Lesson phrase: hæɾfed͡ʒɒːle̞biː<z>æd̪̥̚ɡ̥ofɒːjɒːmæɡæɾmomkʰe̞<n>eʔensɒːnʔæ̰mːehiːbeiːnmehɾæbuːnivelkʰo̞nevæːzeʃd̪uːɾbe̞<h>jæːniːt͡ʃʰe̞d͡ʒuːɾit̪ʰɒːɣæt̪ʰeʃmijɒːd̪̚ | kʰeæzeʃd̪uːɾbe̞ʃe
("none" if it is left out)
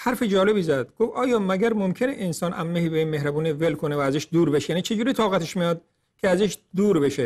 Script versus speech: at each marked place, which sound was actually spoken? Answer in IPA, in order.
z, n, ʃ

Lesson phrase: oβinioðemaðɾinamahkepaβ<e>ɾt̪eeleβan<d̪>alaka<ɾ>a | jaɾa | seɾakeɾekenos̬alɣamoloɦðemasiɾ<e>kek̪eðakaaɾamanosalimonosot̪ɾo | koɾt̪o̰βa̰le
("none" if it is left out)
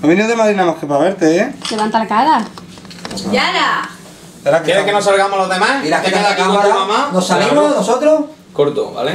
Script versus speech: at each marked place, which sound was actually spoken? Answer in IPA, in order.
e, t̪, ɾ, a

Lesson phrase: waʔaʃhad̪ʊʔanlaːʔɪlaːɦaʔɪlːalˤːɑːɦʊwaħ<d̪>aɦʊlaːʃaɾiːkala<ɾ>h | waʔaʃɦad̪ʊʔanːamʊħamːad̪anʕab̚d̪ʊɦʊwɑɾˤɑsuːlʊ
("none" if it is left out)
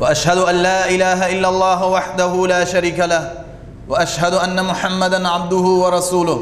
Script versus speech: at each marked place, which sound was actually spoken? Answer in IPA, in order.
d̪, none

